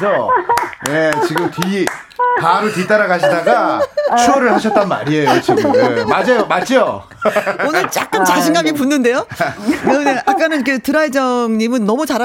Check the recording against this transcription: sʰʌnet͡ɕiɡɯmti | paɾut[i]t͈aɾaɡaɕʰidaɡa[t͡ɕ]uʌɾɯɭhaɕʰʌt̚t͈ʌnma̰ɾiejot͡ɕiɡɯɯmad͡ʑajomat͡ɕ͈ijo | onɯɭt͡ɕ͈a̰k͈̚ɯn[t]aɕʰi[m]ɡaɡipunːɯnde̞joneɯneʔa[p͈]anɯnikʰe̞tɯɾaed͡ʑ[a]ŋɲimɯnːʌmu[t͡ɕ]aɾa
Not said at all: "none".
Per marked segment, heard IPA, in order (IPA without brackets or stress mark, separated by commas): i, t͡ɕʰ, t͡ɕ, ŋ, k͈, ʌ, t͡ɕ